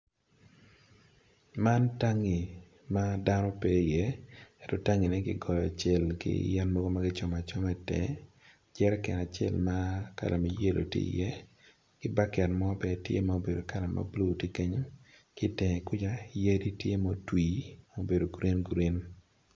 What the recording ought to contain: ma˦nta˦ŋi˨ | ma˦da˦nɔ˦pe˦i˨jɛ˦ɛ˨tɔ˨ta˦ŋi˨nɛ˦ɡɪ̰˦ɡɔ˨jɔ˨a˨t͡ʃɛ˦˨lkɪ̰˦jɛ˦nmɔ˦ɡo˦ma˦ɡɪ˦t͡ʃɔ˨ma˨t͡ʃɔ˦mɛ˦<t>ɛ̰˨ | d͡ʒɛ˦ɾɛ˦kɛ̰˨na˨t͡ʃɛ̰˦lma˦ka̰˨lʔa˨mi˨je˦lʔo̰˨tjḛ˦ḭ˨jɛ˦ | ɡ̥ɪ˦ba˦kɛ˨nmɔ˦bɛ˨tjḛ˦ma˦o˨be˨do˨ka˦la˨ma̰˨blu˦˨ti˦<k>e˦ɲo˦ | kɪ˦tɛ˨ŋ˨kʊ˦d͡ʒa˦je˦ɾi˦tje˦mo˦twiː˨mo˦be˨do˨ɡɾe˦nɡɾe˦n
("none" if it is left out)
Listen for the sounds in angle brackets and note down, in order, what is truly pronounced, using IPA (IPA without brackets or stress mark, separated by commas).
t, k